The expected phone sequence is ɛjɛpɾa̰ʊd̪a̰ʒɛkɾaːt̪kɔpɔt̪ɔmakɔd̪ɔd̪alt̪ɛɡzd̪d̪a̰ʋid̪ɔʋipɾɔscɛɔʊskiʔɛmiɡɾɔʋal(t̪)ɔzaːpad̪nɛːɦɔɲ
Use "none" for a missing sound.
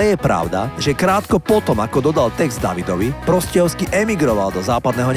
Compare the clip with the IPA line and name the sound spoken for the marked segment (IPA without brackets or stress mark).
d̪